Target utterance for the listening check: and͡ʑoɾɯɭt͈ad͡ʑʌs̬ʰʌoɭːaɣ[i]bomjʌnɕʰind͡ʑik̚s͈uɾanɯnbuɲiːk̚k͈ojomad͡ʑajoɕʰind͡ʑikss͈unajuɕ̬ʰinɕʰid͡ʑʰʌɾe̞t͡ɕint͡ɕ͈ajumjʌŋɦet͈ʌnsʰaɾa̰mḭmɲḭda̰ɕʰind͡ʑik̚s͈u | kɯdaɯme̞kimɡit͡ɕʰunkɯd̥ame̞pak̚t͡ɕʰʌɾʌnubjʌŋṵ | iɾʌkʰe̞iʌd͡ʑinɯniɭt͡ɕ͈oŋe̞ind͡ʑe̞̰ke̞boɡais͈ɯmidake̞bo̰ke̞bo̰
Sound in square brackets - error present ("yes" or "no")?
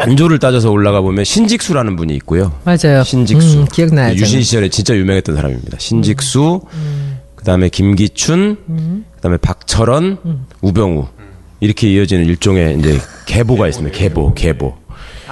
yes